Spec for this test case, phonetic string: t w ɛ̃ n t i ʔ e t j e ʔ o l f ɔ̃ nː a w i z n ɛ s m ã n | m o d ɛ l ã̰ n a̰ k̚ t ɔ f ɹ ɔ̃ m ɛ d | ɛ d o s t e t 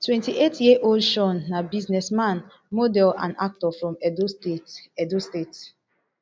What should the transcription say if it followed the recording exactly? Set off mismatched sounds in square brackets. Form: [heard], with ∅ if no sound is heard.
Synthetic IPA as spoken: t w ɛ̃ n t i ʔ e t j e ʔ o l [ʃ] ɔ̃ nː a [b] i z n ɛ s m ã n | m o d ɛ l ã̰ n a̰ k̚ t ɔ f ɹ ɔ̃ m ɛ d | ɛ d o s t e t